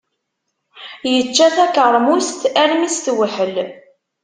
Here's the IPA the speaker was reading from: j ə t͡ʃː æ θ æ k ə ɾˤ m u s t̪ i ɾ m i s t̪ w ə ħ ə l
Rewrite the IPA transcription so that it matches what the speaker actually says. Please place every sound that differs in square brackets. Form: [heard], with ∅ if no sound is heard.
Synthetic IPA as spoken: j ə t͡ʃː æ θ æ k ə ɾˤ m u s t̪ [æ] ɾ m i s t̪ w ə ħ ə l